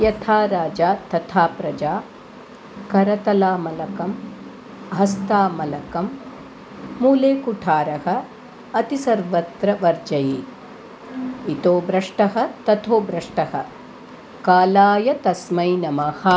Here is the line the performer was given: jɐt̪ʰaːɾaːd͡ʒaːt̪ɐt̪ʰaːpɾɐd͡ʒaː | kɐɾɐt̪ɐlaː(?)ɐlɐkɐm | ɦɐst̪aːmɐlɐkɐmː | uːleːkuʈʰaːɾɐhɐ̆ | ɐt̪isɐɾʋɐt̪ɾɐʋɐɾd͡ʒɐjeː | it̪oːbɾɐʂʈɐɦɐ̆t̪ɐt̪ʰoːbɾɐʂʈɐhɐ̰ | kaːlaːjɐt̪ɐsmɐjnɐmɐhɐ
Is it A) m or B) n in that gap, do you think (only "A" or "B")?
A